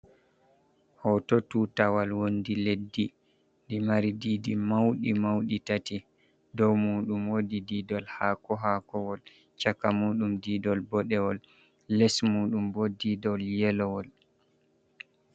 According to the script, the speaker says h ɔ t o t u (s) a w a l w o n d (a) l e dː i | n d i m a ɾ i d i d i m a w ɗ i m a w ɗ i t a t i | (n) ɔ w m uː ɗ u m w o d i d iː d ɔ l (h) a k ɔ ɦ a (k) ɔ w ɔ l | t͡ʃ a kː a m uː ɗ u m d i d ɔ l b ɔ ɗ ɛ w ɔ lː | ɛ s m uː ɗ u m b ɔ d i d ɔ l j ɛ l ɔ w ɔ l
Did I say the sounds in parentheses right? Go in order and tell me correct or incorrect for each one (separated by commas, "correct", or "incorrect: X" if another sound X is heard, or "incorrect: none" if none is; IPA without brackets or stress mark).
incorrect: t, incorrect: i, incorrect: d, correct, correct